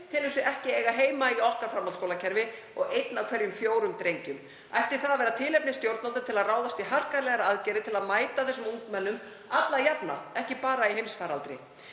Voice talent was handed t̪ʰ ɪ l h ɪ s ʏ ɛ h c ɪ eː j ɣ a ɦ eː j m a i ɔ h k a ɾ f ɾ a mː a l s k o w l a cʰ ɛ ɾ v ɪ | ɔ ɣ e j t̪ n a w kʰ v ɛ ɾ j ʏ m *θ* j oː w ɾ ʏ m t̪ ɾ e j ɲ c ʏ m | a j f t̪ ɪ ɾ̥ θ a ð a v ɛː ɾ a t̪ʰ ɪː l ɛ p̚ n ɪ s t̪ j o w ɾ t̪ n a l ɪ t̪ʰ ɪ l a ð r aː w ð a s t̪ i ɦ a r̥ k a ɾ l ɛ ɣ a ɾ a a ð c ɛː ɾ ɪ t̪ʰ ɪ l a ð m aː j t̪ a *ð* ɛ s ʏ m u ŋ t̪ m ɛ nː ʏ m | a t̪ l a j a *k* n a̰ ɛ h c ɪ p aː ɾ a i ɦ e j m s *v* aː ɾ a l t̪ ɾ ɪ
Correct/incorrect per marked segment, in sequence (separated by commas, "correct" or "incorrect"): incorrect, incorrect, incorrect, incorrect